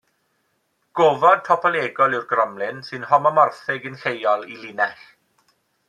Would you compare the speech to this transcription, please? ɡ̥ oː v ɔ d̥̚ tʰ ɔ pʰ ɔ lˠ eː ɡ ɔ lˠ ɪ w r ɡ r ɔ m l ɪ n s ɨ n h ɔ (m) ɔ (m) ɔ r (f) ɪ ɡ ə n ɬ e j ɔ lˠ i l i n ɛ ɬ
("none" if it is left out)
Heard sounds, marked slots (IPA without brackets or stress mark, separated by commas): m, m, θ